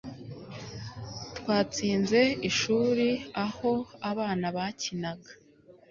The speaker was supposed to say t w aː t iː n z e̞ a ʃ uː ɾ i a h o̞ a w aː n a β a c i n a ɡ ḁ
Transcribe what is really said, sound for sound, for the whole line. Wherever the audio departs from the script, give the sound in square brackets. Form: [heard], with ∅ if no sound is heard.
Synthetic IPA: t w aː [t͡s] iː n z e̞ [i] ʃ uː ɾ i a h o̞ a [β] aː n a β a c i n a ɡ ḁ